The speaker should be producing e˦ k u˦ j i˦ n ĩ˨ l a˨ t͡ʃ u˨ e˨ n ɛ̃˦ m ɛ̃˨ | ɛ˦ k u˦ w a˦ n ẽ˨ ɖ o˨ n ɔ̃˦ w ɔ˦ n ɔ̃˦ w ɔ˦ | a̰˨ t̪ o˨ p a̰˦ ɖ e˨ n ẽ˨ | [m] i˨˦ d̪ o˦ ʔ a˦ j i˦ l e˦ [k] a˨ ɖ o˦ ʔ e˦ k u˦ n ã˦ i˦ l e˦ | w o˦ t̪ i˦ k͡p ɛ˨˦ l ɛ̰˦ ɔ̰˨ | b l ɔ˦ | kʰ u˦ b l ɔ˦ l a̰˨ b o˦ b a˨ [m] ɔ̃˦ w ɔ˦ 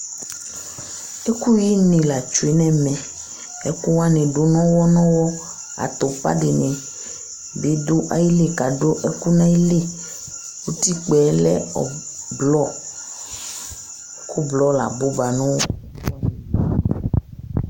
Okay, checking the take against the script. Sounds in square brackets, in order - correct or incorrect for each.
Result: incorrect: b, correct, incorrect: n

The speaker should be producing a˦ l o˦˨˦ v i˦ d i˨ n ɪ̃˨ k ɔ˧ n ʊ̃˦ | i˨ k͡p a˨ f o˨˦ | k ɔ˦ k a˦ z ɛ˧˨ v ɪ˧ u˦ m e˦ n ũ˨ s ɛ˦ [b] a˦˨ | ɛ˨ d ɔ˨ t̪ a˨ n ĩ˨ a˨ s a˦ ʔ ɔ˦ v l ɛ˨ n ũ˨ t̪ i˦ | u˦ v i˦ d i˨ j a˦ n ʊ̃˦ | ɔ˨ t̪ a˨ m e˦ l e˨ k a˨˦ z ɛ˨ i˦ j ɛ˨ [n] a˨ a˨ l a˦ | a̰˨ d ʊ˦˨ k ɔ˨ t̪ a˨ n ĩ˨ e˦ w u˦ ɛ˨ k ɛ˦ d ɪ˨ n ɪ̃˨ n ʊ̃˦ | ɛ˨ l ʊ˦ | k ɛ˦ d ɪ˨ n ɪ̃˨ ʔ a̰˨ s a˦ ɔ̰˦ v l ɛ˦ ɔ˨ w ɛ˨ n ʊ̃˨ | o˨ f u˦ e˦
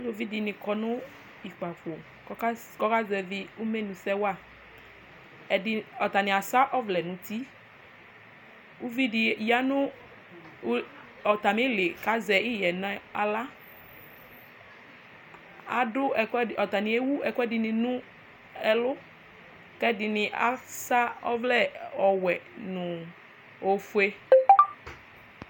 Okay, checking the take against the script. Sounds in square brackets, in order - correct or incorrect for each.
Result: incorrect: w, correct

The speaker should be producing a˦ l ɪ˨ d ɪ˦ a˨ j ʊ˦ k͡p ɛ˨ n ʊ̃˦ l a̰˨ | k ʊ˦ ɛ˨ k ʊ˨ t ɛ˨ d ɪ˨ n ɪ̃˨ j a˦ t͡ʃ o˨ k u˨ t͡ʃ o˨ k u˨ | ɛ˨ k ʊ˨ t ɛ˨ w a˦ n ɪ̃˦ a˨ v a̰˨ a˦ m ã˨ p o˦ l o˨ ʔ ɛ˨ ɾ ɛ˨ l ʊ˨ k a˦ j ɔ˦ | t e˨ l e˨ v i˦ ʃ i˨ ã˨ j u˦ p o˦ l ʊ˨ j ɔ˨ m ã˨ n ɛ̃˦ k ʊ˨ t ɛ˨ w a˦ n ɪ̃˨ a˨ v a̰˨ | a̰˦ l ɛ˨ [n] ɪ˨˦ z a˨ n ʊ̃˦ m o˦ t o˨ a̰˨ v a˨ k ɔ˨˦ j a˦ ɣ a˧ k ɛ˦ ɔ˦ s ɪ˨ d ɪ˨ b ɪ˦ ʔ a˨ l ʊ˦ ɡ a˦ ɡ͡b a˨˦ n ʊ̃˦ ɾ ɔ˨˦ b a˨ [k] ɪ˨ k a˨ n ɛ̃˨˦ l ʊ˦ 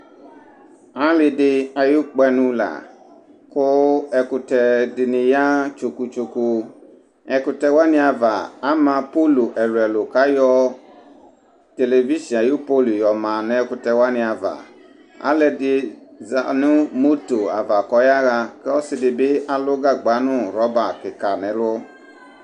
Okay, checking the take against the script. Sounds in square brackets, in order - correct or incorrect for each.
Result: incorrect: d, correct

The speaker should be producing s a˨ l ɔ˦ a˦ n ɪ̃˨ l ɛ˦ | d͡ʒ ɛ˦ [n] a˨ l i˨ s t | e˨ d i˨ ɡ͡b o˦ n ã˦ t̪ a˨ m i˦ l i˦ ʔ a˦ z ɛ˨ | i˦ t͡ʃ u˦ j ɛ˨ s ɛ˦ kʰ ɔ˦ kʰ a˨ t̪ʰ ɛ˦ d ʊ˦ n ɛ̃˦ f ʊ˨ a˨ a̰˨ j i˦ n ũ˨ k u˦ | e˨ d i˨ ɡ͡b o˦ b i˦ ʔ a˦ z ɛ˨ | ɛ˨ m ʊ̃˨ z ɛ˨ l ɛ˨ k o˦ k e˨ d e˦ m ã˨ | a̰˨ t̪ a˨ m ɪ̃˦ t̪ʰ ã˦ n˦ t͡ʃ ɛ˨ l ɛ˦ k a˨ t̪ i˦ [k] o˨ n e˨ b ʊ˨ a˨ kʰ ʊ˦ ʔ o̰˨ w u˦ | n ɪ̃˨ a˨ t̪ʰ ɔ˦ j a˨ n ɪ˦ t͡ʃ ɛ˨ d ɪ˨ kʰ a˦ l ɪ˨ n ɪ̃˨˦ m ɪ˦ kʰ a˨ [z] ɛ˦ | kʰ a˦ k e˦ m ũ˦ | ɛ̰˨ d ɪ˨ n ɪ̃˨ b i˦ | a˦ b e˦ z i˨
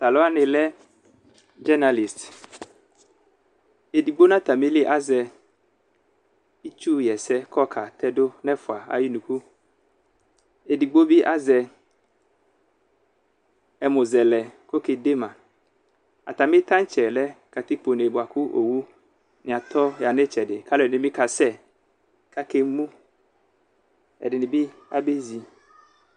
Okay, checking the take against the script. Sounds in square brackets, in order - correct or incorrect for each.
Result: correct, incorrect: k͡p, incorrect: s

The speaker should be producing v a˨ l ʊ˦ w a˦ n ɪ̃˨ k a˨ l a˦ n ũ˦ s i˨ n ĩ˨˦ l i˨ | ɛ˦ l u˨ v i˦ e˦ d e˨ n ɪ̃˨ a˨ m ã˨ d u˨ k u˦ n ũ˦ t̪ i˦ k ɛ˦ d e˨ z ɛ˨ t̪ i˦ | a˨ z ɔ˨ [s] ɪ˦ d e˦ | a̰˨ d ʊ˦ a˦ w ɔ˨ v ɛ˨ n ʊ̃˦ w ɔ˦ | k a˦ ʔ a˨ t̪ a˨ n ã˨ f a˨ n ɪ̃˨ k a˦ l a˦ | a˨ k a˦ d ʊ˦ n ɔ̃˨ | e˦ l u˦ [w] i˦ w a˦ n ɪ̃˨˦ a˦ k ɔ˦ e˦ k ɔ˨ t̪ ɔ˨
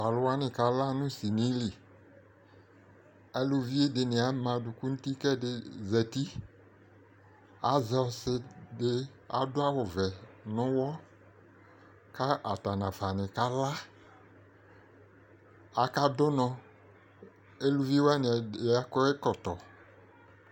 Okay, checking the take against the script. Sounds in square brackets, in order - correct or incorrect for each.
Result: correct, incorrect: v

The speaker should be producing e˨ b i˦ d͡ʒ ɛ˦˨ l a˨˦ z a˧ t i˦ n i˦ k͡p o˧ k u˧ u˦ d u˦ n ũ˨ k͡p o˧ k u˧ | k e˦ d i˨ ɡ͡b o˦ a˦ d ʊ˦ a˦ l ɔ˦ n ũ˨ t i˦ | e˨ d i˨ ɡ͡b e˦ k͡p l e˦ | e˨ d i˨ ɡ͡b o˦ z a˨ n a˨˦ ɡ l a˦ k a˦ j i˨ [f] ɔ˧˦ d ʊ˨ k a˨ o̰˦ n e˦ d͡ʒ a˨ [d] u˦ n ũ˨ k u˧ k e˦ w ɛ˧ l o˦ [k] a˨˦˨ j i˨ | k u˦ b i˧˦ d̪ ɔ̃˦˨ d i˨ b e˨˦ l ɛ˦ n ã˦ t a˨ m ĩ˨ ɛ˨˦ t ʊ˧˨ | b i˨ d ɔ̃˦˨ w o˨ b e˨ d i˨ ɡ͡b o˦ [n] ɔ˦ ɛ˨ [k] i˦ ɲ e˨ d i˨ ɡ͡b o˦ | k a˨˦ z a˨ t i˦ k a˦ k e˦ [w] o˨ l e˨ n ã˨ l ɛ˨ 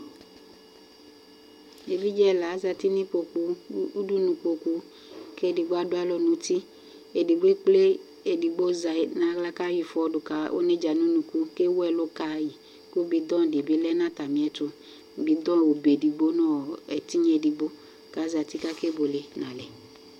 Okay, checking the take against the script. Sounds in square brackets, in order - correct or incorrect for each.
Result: correct, incorrect: n, correct, correct, incorrect: t, incorrect: b

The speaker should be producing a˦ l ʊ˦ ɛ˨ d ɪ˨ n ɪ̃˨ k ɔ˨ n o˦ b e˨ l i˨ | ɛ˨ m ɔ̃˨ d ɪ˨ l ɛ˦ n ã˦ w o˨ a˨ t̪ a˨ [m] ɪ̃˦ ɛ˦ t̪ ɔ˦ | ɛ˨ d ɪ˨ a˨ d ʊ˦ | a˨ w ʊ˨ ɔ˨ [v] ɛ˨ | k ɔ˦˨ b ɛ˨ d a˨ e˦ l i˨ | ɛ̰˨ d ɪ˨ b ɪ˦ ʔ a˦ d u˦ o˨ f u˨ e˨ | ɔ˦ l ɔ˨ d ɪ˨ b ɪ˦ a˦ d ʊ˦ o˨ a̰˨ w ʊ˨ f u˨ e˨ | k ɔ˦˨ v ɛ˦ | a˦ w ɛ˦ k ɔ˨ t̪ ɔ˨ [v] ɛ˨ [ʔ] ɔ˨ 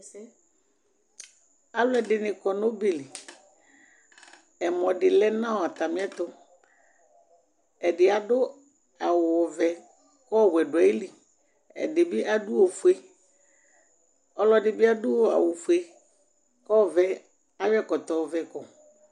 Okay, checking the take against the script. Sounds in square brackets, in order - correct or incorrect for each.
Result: correct, correct, correct, incorrect: k

